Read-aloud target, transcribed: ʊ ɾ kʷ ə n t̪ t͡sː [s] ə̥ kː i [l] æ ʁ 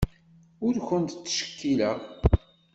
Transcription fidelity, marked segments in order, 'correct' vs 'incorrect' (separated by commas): incorrect, correct